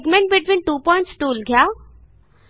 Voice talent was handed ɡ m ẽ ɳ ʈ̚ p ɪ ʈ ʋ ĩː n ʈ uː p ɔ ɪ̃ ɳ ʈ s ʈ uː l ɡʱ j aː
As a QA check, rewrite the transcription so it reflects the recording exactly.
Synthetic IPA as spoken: ɡ m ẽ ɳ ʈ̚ b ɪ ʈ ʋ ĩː n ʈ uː p ɔ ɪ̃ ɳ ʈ s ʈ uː l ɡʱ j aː